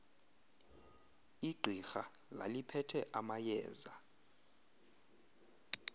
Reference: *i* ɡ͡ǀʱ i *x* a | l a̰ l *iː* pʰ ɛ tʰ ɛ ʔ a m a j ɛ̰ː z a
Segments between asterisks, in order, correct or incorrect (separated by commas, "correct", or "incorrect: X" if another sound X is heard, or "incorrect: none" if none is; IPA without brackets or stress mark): correct, correct, incorrect: i